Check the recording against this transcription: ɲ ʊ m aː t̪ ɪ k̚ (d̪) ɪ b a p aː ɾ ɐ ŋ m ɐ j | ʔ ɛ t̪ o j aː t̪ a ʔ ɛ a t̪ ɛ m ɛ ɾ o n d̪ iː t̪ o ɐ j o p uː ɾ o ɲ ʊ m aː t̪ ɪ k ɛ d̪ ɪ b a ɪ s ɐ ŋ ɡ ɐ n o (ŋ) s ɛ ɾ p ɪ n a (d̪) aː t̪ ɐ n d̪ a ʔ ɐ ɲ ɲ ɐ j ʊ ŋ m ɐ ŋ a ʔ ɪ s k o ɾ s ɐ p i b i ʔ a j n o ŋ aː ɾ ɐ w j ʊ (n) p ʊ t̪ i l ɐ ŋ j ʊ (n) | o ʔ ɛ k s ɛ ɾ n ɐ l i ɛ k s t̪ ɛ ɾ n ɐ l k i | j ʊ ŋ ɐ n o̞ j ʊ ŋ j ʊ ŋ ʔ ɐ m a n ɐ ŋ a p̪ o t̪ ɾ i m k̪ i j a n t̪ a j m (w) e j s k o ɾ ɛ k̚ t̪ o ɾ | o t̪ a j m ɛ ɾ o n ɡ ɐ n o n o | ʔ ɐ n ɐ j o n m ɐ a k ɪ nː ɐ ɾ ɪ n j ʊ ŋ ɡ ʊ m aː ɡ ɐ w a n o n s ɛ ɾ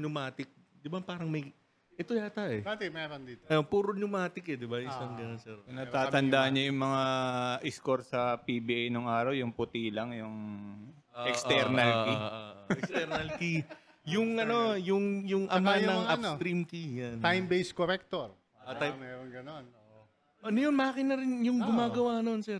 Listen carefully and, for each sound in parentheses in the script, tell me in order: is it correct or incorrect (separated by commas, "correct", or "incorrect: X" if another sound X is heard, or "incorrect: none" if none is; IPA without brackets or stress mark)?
correct, incorrect: n, incorrect: t̪, incorrect: ŋ, incorrect: ŋ, incorrect: b